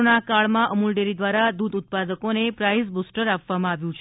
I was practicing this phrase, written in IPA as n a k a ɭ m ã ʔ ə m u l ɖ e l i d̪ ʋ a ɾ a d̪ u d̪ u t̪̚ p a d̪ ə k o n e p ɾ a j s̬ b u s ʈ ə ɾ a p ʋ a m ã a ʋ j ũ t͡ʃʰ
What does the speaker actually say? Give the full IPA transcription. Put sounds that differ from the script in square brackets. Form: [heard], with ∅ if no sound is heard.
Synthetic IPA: n a k a ɭ m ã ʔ ə m u l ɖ e [ɾ] i d̪ ʋ a ɾ a d̪ u d̪ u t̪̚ p a d̪ ə k o n e p ɾ a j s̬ b u s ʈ ə ɾ a p ʋ a m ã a ʋ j ũ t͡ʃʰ